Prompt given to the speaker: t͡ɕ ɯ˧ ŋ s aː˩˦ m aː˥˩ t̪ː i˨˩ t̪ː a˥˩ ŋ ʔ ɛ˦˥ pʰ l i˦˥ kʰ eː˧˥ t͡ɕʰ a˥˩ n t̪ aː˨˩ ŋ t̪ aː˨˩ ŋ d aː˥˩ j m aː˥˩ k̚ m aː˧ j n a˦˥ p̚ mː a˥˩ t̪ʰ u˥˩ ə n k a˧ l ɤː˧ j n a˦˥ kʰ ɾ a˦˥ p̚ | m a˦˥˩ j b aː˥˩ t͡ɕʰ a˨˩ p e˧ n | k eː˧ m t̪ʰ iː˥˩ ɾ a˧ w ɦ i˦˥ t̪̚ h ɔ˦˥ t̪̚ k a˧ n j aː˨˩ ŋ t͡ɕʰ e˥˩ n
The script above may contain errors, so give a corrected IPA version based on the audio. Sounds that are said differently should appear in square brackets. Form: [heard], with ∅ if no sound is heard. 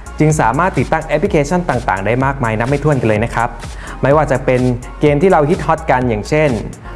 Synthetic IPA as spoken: t͡ɕ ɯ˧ ŋ s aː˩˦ m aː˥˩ t̪ː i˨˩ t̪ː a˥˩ ŋ ʔ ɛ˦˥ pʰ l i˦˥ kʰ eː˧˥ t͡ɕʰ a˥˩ n t̪ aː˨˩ ŋ t̪ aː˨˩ ŋ d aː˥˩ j m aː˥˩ k̚ m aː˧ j n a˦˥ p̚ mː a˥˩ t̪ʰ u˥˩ ə n k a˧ l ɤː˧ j n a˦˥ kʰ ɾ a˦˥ p̚ | m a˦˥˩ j [w] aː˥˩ [t͡ɕ] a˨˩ p e˧ n | k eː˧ m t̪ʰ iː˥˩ ɾ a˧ w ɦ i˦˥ t̪̚ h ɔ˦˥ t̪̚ k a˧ n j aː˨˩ ŋ t͡ɕʰ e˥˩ n